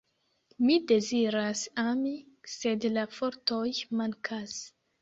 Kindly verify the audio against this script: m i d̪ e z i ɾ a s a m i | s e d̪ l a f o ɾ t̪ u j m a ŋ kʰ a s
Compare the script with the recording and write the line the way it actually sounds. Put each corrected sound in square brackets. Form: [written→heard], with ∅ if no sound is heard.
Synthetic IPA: m i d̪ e z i ɾ a s a m i | s e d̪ l a f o ɾ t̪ [u→o] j m a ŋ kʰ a s